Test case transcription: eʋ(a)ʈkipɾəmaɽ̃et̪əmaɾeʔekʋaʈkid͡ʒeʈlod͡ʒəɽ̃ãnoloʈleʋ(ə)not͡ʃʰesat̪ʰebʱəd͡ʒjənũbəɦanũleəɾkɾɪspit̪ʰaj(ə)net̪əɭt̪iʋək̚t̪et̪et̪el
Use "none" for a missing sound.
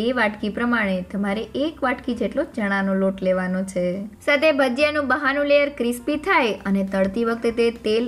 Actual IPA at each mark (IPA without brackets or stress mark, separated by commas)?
a, a, ə